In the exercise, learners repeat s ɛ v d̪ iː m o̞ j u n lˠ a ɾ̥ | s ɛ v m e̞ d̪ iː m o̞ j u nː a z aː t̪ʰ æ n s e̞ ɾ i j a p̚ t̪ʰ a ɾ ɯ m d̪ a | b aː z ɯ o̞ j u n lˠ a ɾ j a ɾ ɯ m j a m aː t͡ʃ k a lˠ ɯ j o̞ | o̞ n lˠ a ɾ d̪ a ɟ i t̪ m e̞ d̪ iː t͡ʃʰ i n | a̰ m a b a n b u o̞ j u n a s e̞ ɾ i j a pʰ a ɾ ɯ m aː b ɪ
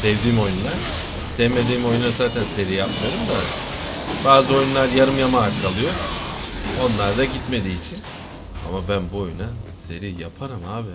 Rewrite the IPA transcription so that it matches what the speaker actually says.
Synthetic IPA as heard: s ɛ v d̪ iː m o̞ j u n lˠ a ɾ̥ | s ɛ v m e̞ d̪ iː m o̞ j u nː a z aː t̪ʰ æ n s e̞ ɾ i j a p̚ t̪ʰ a ɾ ɯ m d̪ a | b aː z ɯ o̞ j u n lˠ a ɾ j a ɾ ɯ m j a m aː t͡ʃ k a lˠ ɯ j o̞ | o̞ n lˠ a ɾ d̪ a ɟ i t̪ m e̞ d̪ iː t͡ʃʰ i n | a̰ m a b æ n b u o̞ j u n a s e̞ ɾ i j a pʰ a ɾ ɯ m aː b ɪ